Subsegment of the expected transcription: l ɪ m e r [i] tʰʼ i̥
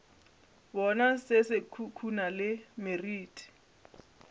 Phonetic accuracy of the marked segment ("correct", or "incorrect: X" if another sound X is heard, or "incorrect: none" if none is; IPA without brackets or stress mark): incorrect: iː